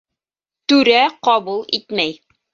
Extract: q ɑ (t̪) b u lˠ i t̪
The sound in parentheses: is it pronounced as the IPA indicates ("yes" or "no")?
no